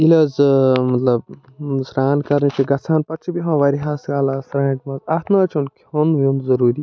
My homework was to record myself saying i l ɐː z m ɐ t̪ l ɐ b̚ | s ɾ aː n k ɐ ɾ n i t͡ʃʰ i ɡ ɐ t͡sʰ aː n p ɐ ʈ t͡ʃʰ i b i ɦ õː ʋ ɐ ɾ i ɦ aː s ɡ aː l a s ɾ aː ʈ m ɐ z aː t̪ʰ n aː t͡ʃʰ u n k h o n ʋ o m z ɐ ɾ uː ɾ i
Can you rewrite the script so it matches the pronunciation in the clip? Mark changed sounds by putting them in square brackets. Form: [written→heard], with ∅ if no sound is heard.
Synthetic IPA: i l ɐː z m ɐ t̪ l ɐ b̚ | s ɾ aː n k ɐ ɾ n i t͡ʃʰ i ɡ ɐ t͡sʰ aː n p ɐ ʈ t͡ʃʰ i b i ɦ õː ʋ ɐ ɾ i ɦ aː s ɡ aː l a s ɾ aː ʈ m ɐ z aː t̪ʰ n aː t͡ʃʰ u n k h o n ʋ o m z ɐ ɾ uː ɾ i